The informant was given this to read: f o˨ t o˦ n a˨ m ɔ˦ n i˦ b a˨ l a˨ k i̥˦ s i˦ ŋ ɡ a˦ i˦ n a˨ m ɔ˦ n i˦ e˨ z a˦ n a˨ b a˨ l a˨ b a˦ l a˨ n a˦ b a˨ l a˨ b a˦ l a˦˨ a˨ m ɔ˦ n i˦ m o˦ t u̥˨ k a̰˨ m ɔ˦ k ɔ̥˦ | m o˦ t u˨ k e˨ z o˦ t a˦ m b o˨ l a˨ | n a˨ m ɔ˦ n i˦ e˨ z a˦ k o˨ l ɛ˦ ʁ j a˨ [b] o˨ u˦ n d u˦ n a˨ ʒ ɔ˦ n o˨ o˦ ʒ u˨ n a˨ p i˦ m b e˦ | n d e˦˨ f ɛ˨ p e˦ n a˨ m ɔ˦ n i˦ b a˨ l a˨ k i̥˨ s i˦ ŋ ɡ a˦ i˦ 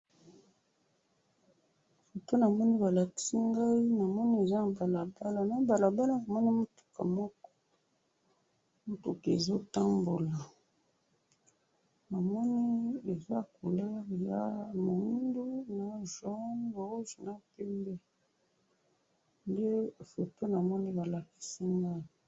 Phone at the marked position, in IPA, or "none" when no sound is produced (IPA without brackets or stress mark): m